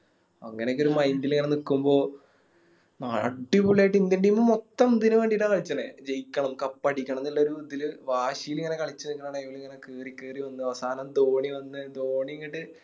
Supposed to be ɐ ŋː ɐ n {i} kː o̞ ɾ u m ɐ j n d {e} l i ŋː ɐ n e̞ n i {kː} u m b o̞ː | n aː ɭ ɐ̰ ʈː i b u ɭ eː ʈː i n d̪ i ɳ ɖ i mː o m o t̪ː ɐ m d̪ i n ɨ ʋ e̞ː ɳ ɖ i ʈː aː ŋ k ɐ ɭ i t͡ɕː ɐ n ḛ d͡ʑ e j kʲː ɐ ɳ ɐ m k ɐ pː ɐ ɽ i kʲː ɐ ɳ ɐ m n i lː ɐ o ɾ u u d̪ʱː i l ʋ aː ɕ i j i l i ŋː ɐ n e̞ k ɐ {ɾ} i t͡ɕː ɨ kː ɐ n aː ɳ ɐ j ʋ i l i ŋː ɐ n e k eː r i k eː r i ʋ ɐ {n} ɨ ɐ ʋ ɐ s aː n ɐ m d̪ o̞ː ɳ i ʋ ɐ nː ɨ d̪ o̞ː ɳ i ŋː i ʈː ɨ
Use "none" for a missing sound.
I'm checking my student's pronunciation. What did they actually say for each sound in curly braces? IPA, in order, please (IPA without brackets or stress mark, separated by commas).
e, i, kː, ɭ, nː